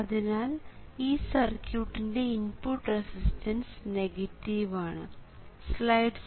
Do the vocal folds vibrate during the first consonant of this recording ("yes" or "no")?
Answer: yes